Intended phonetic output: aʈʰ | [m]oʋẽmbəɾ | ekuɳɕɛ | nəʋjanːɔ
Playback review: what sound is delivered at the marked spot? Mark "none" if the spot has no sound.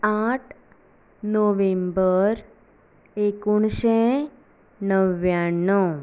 n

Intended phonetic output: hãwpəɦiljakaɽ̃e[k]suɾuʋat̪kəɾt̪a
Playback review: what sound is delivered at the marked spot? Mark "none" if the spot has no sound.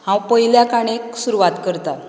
k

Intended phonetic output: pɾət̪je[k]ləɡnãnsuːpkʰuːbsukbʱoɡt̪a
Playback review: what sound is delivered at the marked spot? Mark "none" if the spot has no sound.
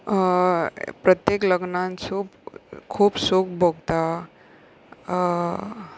k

